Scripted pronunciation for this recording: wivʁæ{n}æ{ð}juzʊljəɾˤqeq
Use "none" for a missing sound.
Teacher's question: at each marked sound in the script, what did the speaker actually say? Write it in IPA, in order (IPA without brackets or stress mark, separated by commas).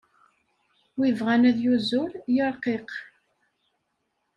n, ð